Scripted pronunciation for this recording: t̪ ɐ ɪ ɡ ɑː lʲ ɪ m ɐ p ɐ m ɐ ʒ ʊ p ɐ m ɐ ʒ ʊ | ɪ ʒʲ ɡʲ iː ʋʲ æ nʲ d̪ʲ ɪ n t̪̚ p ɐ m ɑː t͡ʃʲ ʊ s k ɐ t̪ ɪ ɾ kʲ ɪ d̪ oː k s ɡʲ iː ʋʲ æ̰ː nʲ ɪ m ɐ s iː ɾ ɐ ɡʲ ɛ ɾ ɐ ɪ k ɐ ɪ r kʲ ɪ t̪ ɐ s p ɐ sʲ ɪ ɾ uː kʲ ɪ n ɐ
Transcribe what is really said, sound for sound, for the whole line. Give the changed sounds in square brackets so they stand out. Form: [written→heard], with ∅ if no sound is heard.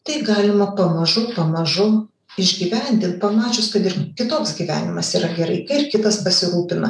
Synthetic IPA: t̪ ɐ ɪ ɡ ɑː lʲ ɪ m ɐ p ɐ m ɐ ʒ ʊ p ɐ m ɐ ʒ ʊ | ɪ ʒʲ ɡʲ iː ʋʲ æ nʲ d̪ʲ ɪ n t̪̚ p ɐ m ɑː t͡ʃʲ ʊ s k ɐ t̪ ɪ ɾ kʲ ɪ [d̪→t̪] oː k s ɡʲ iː ʋʲ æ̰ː nʲ ɪ m ɐ s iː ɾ ɐ ɡʲ ɛ ɾ ɐ ɪ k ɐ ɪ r kʲ ɪ t̪ ɐ s p ɐ sʲ ɪ ɾ uː [kʲ→pʲ] ɪ n ɐ